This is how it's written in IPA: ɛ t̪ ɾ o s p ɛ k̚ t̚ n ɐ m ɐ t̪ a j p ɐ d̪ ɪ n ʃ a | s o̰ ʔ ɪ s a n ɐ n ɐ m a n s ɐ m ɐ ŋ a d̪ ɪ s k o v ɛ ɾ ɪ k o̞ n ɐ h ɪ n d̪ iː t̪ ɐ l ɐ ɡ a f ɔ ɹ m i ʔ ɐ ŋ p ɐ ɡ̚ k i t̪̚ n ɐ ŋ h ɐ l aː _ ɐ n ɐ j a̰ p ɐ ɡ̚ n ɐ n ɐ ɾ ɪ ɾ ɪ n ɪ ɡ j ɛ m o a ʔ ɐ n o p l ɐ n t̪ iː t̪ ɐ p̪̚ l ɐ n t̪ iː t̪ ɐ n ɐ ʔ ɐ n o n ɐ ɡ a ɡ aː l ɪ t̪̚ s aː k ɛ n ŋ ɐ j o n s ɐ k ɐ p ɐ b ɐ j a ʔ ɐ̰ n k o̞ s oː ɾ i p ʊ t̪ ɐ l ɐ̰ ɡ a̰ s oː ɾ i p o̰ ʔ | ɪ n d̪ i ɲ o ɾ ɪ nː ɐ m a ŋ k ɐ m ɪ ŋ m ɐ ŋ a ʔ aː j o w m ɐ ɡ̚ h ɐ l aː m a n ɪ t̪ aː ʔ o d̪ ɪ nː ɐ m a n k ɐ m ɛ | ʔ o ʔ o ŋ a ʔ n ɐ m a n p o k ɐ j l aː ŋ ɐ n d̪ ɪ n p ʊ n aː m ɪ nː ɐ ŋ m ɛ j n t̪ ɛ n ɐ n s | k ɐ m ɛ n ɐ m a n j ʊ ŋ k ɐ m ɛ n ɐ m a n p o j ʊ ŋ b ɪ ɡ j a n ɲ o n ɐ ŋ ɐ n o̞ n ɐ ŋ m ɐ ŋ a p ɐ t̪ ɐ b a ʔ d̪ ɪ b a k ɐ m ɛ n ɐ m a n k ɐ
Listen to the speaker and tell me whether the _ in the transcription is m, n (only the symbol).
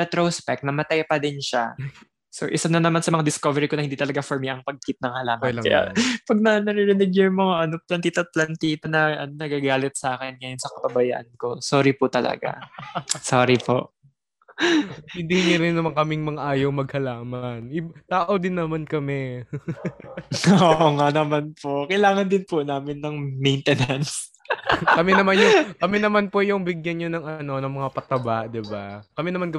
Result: m